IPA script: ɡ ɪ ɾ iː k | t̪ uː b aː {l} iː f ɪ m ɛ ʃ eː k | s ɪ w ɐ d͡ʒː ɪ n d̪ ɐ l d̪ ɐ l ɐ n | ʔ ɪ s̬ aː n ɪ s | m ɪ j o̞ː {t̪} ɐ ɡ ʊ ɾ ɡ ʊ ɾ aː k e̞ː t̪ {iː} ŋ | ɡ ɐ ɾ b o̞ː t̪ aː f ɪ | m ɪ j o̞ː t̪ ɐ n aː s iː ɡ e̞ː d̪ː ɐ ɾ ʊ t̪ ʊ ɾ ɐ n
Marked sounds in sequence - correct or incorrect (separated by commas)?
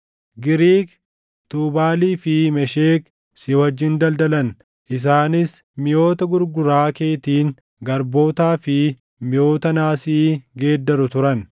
correct, correct, correct